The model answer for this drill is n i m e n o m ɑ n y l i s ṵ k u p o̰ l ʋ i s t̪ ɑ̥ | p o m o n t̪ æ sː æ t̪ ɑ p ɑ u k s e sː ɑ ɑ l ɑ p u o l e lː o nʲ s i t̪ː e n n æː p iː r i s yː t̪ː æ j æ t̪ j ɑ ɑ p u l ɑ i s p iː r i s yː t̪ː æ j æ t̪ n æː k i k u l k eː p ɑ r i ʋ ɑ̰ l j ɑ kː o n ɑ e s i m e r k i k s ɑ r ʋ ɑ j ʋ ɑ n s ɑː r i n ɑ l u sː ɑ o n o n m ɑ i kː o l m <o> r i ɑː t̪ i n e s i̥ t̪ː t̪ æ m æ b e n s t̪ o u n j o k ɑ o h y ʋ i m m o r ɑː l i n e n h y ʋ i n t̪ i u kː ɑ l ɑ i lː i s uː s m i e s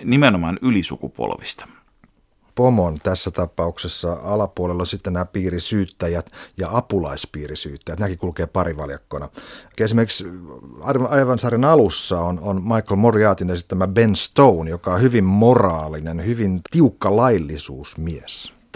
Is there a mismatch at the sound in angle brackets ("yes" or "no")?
no